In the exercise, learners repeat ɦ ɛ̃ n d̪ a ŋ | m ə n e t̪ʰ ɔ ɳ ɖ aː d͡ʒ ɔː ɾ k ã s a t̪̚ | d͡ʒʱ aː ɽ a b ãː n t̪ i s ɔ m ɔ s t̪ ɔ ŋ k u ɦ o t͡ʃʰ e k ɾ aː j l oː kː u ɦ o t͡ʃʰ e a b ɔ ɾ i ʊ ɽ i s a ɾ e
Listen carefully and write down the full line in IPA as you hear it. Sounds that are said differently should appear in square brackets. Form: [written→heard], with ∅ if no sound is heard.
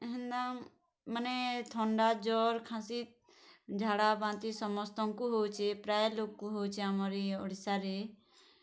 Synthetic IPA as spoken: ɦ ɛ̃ n d̪ a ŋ | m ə n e t̪ʰ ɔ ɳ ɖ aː d͡ʒ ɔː ɾ [k→kʰ] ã s [a→i] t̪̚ | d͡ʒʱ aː ɽ a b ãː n t̪ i s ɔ m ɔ s t̪ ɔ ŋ k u ɦ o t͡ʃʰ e [k→p] ɾ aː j l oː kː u ɦ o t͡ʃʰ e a [b→m] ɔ ɾ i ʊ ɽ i s a ɾ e

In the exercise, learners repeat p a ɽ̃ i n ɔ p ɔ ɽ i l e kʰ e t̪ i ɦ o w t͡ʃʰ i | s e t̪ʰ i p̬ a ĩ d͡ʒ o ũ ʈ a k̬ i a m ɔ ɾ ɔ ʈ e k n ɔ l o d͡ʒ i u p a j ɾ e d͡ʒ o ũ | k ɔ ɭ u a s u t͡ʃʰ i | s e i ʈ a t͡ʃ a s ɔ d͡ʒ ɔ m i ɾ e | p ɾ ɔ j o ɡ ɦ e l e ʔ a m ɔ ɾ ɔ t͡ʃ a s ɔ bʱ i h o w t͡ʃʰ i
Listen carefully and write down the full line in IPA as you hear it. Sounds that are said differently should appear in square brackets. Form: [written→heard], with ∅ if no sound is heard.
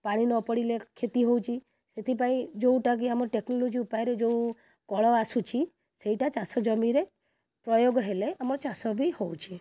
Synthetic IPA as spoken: p a ɽ̃ i n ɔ p ɔ ɽ i l e kʰ e t̪ i ɦ o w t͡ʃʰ i | s e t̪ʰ i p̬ a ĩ d͡ʒ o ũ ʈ a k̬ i a m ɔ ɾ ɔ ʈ e k n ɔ l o d͡ʒ i u p a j ɾ e d͡ʒ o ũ | k ɔ ɭ [u→ɔ] a s u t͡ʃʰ i | s e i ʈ a t͡ʃ a s ɔ d͡ʒ ɔ m i ɾ e | p ɾ ɔ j o ɡ ɦ e l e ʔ a m ɔ ɾ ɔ t͡ʃ a s ɔ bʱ i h o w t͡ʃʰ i

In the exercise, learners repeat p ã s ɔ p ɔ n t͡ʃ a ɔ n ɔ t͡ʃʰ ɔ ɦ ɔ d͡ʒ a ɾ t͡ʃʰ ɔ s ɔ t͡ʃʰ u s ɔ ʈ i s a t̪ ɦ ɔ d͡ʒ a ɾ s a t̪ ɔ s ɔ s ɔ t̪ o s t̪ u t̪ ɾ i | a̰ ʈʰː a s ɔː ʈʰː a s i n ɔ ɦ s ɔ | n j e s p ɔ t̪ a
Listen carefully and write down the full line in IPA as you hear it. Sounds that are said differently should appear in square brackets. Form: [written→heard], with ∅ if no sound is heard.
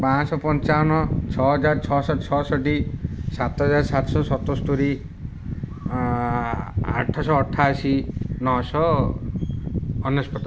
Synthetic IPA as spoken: p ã s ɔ p ɔ n t͡ʃ a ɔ n ɔ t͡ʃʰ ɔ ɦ ɔ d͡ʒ a ɾ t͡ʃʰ ɔ s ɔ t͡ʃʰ [u→ɔ] s ɔ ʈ i s a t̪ ɦ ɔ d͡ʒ a ɾ s a t̪ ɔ s ɔ s ɔ t̪ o s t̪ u [t̪→∅] ɾ i | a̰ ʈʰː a s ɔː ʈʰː a s i n ɔ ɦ s ɔ | n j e s p ɔ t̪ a

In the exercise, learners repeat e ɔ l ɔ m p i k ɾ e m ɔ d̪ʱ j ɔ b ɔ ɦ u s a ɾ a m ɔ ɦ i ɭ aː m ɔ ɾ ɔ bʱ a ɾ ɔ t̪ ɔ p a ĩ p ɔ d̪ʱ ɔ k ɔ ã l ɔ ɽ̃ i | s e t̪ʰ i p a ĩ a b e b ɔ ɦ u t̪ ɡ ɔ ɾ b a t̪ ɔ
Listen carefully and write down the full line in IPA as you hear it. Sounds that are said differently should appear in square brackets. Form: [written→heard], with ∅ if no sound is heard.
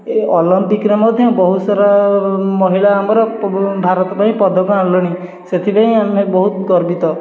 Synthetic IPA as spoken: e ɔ l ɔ m p i k ɾ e m ɔ d̪ʱ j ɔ b ɔ ɦ u s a ɾ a m ɔ ɦ i ɭ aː m ɔ ɾ ɔ bʱ a ɾ ɔ t̪ ɔ p a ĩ p ɔ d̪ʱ ɔ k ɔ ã l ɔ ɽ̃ i | s e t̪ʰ i p a ĩ a [b→m] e b ɔ ɦ u t̪ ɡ ɔ ɾ b [a→i] t̪ ɔ

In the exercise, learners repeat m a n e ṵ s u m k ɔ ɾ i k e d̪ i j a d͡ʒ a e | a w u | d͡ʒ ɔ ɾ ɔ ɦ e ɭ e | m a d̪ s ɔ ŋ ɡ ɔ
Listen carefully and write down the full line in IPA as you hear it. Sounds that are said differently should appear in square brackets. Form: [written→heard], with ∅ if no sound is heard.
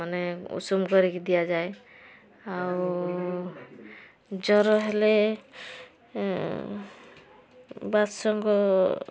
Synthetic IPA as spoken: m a n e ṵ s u m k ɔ ɾ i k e d̪ i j a d͡ʒ a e | a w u | d͡ʒ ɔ ɾ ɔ ɦ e [ɭ→l] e | [m→b] a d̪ s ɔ ŋ ɡ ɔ

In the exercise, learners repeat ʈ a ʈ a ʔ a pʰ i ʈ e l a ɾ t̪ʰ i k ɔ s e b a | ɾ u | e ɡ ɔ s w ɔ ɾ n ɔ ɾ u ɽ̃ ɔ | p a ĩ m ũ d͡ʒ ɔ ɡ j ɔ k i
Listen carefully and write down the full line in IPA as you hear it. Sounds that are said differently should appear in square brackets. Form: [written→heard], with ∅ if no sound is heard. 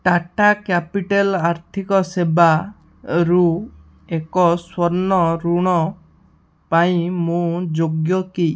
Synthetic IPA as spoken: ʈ a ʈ a [ʔ→k] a [pʰ→p] i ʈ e l a ɾ t̪ʰ i k ɔ s e b a | ɾ u | e [ɡ→k] ɔ s w ɔ ɾ n ɔ ɾ u ɽ̃ ɔ | p a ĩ m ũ d͡ʒ [ɔ→o] ɡ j ɔ k i

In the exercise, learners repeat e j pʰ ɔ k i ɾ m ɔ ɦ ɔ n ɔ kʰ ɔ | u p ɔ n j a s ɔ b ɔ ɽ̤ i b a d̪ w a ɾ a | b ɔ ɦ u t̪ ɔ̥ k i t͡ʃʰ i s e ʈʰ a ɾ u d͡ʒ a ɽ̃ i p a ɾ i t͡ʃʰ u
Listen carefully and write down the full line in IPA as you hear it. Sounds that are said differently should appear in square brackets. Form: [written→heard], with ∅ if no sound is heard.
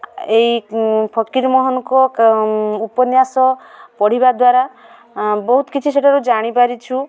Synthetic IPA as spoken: e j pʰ ɔ k i ɾ m ɔ ɦ ɔ n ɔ [kʰ→k] ɔ | u p ɔ n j a s ɔ [b→p] ɔ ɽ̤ i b a d̪ w a ɾ a | b ɔ ɦ u t̪ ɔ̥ k i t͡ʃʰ i s e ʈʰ a ɾ u d͡ʒ a ɽ̃ i p a ɾ i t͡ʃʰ u

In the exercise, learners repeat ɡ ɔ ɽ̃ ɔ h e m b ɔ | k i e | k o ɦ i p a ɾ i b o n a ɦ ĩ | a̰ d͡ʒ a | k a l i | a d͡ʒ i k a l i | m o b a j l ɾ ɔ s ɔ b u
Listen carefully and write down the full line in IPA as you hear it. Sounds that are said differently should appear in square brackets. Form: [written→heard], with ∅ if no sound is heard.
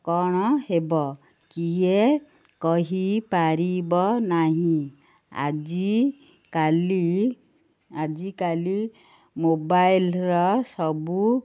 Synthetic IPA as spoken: [ɡ→k] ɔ ɽ̃ ɔ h e [m→∅] b ɔ | k i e | k [o→ɔ] ɦ i p a ɾ i b [o→ɔ] n a ɦ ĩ | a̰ d͡ʒ [a→i] | k a l i | a d͡ʒ i k a l i | m o b a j l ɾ ɔ s ɔ b u

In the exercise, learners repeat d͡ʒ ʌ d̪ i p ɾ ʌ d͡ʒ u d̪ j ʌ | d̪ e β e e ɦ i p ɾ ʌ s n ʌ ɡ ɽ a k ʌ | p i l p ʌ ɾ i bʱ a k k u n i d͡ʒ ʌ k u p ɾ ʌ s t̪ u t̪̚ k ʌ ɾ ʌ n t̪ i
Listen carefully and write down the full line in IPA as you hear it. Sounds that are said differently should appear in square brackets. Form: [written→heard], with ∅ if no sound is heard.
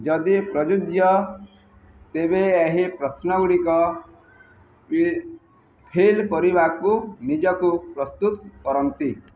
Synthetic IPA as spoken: d͡ʒ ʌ d̪ i p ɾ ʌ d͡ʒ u d̪ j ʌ | [d̪→t̪] e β e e ɦ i p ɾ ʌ s n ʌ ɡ ɽ [a→i] k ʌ | [p→pʰ] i l p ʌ ɾ i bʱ a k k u n i d͡ʒ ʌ k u p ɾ ʌ s t̪ u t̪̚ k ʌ ɾ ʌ n t̪ i

